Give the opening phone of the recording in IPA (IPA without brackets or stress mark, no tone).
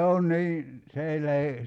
s